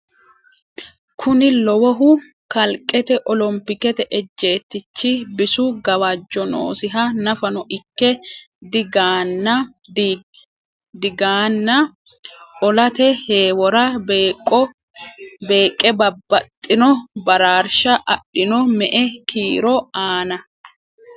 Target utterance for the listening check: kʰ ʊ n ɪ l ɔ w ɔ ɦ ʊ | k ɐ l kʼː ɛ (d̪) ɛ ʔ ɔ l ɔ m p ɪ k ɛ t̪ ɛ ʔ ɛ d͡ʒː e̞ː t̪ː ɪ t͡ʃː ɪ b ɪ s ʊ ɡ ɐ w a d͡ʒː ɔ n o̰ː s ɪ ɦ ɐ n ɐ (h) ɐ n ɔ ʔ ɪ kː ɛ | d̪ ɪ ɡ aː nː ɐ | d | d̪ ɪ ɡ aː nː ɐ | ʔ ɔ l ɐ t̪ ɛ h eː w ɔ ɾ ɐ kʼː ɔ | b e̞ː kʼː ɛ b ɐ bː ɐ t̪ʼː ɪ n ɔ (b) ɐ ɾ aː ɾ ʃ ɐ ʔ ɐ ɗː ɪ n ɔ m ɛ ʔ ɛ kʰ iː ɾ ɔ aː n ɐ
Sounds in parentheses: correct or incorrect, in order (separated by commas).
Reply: incorrect, incorrect, correct